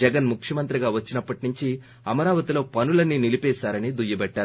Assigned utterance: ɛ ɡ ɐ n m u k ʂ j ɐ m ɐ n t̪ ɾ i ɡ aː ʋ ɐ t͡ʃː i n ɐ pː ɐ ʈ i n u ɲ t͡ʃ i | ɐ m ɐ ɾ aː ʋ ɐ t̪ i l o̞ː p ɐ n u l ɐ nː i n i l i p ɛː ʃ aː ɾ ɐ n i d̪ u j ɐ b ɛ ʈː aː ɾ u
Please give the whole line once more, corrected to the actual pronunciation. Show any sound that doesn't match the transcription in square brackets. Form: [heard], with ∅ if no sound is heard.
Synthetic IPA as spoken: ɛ ɡ ɐ n m u k ʂ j ɐ m ɐ n t̪ ɾ i ɡ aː ʋ ɐ t͡ʃː i n ɐ pː ɐ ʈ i n u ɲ t͡ʃ i | ɐ m ɐ ɾ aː ʋ ɐ t̪ i l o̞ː p ɐ n u l ɐ nː i n i l i p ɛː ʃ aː ɾ ɐ n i d̪ u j ɐ b ɛ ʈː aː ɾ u